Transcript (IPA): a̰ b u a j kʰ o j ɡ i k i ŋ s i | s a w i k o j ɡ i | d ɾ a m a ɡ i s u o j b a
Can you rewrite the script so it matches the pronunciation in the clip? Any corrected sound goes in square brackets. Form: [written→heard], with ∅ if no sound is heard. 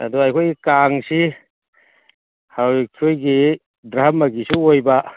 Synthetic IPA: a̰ [b→d] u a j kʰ o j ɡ i k [i→a] ŋ s i | [s→h] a w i [k→kʰ] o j ɡ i | d ɾ a m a ɡ i s u o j b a